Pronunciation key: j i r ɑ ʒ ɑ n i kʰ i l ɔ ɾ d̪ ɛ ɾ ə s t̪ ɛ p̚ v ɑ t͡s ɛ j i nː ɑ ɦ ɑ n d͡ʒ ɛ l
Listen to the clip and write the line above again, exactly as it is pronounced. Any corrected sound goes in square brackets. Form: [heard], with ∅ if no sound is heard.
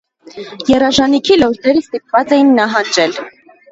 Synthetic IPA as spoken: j [ɛ] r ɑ ʒ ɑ n i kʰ i l ɔ ɾ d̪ ɛ ɾ ə s t̪ [i] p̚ v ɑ t͡s ɛ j i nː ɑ ɦ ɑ n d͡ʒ ɛ l

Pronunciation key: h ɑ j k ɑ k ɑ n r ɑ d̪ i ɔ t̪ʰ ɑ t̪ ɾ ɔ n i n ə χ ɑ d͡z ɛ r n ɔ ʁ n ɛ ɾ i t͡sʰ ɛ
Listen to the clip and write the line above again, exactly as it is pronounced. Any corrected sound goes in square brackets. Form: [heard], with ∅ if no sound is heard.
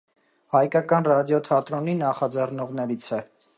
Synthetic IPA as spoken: h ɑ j k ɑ k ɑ n r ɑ d̪ [j] ɔ t̪ʰ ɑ t̪ ɾ ɔ n i n [ɑ] χ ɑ d͡z ɛ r n ɔ ʁ n ɛ ɾ i t͡sʰ ɛ

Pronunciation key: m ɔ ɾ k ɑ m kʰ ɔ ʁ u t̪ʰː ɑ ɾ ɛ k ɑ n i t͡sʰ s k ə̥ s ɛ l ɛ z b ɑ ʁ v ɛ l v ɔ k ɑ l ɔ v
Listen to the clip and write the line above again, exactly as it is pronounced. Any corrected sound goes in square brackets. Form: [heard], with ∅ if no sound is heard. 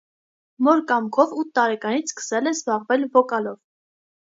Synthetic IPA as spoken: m ɔ ɾ k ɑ m kʰ ɔ [v] u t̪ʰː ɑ ɾ ɛ k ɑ n i t͡sʰ s k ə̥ s ɛ l ɛ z b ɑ ʁ v ɛ l v ɔ k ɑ l ɔ v

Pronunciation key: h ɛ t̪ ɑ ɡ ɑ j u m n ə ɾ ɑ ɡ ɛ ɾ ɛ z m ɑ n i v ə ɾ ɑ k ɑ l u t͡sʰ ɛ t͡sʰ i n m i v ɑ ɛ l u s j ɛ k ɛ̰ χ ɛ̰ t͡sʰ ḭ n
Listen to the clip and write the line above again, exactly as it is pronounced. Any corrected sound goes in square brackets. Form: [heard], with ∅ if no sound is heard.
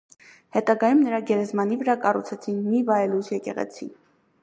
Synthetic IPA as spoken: h ɛ t̪ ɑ ɡ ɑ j u m n ə ɾ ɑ ɡ ɛ ɾ ɛ z m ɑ n i v ə ɾ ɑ k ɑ [r] u t͡sʰ ɛ t͡sʰ i n m i v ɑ ɛ l u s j ɛ k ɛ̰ [ʁ] ɛ̰ t͡sʰ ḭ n

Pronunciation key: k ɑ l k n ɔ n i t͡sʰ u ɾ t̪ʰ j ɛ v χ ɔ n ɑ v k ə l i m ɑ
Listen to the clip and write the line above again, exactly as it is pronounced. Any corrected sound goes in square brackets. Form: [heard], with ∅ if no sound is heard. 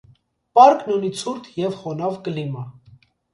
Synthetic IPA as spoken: [p] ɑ [ɾ] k n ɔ n i t͡sʰ u ɾ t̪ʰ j ɛ v χ ɔ n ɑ v k ə l i m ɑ

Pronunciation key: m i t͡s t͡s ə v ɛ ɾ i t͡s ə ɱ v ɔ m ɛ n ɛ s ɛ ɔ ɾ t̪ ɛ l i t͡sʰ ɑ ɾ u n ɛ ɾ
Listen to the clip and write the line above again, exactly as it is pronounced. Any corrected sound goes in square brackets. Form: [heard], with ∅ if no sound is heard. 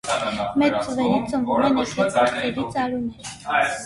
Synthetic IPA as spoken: m [ɛ] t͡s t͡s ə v ɛ ɾ i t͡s ə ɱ v [u] m ɛ n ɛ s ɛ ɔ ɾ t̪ ɛ [ɾ] i [t͡s] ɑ ɾ u n ɛ ɾ

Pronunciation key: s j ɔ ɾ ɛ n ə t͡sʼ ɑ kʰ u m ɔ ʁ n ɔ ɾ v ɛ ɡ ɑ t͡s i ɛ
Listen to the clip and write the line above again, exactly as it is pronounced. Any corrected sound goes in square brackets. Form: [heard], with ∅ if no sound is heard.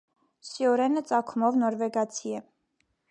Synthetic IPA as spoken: s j ɔ ɾ ɛ n ə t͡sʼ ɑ kʰ u m ɔ [v] n ɔ ɾ v ɛ ɡ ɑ [t͡sʰ] i ɛ

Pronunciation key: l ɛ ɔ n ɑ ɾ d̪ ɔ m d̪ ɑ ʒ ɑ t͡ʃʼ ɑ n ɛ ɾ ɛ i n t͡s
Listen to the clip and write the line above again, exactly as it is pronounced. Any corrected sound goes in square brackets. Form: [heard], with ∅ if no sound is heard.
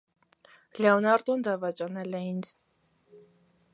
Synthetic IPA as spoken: l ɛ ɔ n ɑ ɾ d̪ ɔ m d̪ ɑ [v] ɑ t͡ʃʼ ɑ n ɛ [l] ɛ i n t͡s

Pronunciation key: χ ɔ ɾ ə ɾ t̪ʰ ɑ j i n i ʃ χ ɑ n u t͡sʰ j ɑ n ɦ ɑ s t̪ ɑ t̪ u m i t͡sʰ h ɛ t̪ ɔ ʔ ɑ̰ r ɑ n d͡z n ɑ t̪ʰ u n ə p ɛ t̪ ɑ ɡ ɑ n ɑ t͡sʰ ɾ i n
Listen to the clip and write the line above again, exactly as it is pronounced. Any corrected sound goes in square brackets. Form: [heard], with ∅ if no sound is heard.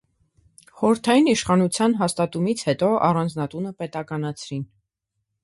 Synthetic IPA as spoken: χ ɔ ɾ ə ɾ t̪ʰ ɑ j i n i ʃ χ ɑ n u t͡sʰ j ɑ n ɦ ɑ s t̪ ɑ t̪ u m i t͡sʰ h ɛ t̪ ɔ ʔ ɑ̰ r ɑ n d͡z n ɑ [t̪] u n ə p ɛ t̪ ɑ [k] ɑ n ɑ t͡sʰ ɾ i n

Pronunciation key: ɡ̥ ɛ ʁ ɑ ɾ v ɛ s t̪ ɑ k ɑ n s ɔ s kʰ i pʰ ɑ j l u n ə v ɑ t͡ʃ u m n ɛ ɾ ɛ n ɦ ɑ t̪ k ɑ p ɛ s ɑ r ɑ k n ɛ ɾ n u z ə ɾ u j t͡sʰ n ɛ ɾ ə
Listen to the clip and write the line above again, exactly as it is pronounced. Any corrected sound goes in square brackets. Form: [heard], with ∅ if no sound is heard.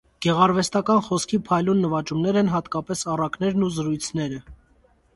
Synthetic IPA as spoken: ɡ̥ ɛ ʁ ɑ ɾ v ɛ s t̪ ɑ k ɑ n [χ] ɔ s kʰ i pʰ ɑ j l u [nː] ə v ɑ t͡ʃ u m n ɛ ɾ ɛ n ɦ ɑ t̪ k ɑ p ɛ s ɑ r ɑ k n ɛ ɾ n u z ə ɾ u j t͡sʰ n ɛ ɾ ə

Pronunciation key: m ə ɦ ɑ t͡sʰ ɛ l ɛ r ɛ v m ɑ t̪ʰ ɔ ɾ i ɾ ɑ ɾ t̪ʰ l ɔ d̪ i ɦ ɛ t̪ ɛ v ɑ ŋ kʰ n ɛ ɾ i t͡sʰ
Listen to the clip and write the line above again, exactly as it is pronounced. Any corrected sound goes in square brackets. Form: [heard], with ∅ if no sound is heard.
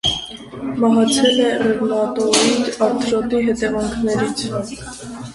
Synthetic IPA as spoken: m [ɑ] ɦ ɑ t͡sʰ ɛ l ɛ r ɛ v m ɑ [t̪] ɔ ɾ i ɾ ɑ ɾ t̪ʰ [ɾ] ɔ [t̪] i ɦ ɛ t̪ ɛ v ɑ ŋ kʰ n ɛ ɾ i t͡sʰ

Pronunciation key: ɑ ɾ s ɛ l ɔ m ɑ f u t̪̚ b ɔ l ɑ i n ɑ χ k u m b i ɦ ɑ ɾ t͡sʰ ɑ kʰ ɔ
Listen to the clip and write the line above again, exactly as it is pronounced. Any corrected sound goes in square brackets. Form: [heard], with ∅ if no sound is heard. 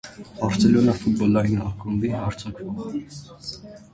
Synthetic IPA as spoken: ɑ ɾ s ɛ l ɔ [n] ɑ f u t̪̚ b ɔ l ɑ i n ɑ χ k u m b i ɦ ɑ ɾ t͡sʰ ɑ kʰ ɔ

